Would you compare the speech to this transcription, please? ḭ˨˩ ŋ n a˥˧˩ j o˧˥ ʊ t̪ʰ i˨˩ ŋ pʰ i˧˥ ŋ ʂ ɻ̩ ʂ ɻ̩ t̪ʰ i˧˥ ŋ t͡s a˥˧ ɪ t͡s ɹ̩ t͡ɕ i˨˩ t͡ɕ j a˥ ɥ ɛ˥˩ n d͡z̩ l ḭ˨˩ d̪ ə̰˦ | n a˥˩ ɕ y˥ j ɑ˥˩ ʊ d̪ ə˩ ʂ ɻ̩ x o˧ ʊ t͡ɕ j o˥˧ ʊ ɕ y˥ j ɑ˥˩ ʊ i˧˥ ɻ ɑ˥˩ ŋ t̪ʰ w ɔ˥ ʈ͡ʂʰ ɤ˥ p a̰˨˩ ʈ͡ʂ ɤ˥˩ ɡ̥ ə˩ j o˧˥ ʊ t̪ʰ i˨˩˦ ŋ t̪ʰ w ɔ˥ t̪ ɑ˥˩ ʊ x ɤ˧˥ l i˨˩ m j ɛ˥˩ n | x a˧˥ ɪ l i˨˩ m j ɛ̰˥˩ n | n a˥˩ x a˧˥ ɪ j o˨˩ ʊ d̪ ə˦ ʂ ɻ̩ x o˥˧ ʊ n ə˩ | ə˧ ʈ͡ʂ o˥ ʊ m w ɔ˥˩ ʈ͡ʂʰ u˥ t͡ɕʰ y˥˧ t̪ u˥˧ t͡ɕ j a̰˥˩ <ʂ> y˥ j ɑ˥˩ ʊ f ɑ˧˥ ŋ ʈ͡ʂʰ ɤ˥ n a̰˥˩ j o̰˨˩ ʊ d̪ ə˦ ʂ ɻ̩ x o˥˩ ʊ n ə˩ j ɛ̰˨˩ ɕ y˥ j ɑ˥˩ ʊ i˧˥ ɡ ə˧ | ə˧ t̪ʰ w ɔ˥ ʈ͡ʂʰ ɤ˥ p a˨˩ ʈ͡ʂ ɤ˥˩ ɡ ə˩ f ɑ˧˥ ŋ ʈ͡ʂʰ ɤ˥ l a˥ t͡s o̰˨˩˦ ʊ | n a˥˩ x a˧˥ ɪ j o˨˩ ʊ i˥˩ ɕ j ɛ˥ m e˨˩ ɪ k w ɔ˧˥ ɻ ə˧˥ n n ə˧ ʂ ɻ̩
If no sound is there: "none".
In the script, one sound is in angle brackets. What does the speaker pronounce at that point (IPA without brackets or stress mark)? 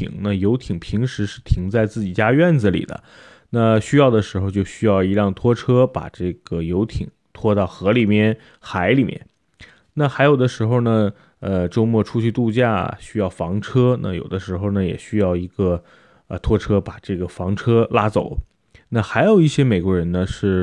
ɕ